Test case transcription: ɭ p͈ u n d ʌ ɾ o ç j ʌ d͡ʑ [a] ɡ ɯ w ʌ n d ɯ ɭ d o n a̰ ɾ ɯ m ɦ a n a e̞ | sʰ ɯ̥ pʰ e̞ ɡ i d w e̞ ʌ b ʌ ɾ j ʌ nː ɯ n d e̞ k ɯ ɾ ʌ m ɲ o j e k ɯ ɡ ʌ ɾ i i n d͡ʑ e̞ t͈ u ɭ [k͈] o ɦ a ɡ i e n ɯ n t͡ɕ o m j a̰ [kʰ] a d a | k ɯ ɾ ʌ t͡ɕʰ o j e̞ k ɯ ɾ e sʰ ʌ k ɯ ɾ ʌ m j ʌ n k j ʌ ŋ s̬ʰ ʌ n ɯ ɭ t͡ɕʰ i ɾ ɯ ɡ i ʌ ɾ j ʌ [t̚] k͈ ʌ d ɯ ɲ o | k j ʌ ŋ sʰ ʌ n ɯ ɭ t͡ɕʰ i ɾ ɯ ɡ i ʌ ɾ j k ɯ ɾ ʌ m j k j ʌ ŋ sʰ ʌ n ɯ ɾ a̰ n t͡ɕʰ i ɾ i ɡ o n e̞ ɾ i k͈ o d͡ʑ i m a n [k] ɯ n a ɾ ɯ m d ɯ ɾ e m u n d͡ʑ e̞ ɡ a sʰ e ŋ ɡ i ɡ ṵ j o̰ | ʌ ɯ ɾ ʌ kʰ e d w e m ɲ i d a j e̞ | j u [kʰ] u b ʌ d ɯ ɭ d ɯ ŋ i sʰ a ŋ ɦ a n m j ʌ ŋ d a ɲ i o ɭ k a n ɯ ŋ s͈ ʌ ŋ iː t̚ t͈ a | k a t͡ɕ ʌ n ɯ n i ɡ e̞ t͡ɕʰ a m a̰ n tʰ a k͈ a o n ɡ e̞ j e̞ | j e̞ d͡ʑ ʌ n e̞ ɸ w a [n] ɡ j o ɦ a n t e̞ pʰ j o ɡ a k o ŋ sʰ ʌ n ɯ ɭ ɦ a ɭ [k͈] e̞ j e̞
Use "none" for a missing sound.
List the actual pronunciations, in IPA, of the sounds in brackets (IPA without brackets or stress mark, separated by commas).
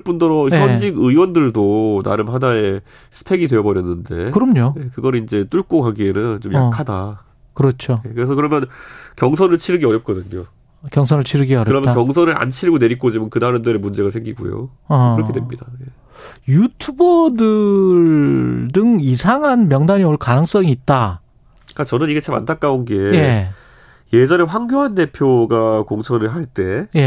i, k͈, kʰ, p̚, k, tʰ, ŋ, t͈